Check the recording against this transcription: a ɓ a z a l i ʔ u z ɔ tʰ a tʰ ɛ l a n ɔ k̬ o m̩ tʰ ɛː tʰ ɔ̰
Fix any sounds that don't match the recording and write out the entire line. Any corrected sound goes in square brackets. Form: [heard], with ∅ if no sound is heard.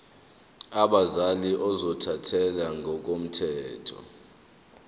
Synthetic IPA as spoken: a ɓ a z a l i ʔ [ɔ] z ɔ tʰ a tʰ ɛ l a [ŋ] ɔ k̬ o m̩ tʰ ɛː tʰ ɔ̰

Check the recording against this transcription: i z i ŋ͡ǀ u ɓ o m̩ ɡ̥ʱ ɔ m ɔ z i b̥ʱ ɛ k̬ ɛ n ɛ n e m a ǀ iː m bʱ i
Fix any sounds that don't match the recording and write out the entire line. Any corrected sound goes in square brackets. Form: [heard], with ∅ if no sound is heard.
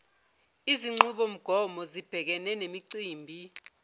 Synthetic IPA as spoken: i z i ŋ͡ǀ u ɓ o m̩ ɡ̥ʱ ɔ m ɔ z i b̥ʱ ɛ k̬ ɛ n ɛ n e m [i] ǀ iː m bʱ i

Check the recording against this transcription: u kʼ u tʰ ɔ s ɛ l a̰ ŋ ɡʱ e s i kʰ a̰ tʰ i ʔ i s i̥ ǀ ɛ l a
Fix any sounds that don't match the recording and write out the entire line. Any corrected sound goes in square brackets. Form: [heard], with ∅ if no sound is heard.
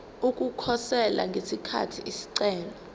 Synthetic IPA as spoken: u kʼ u [kʰ] ɔ s ɛ l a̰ ŋ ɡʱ e s i kʰ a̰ tʰ i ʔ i s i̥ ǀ [ɛː] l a

